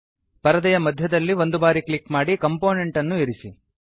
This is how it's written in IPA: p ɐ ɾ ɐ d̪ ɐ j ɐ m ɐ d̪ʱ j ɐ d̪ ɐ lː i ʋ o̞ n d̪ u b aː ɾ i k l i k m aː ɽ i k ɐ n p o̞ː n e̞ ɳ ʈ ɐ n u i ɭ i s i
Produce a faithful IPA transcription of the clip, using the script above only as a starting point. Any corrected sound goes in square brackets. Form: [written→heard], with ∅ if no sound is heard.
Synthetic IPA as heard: p ɐ ɾ ɐ d̪ ɐ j ɐ m ɐ d̪ʱ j ɐ d̪ ɐ lː i ʋ o̞ n d̪ u b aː ɾ i k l i k m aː ɽ i k ɐ [n→m] p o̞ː n e̞ ɳ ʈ ɐ [n→nː] u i [ɭ→ɾ] i s i